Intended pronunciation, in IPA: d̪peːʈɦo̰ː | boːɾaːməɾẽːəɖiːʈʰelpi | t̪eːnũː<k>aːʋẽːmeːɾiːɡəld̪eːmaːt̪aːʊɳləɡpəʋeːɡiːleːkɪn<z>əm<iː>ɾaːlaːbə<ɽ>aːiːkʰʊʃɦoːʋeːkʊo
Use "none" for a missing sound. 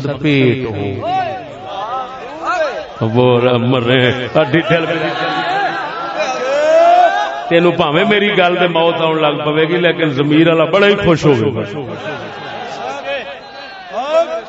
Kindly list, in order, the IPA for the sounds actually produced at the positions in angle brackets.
p, z, iː, ɽ

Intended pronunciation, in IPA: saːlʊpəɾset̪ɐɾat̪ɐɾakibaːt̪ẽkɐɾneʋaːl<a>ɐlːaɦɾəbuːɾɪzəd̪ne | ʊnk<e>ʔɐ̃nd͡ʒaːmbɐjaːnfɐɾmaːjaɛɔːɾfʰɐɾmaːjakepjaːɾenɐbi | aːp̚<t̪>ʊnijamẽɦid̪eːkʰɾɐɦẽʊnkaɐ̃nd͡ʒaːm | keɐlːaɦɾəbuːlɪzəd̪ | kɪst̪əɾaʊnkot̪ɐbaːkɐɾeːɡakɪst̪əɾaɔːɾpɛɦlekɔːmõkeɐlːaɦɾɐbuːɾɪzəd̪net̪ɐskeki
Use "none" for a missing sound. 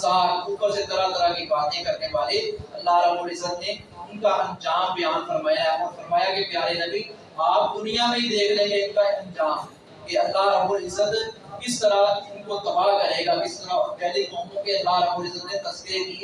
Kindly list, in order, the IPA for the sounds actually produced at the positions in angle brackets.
e, a, d̪

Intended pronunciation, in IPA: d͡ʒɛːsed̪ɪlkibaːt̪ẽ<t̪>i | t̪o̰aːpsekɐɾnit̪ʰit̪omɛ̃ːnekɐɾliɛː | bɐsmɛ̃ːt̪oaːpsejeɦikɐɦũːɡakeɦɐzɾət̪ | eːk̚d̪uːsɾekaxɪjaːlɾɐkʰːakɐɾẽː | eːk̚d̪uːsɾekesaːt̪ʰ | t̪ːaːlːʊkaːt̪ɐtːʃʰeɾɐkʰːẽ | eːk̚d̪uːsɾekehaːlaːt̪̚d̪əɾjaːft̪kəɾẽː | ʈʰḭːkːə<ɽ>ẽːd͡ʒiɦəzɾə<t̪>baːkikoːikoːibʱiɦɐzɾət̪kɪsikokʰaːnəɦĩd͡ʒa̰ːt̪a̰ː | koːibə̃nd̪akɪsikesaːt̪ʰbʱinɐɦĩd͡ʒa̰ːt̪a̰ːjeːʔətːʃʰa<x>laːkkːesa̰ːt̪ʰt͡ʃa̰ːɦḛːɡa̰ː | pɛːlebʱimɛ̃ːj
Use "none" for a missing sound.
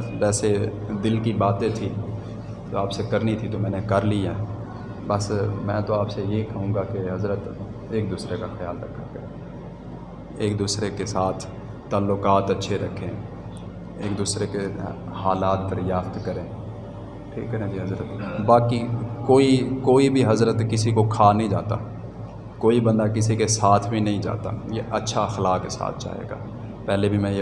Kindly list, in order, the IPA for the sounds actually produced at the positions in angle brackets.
t̪ʰ, ɾ, t̪, x

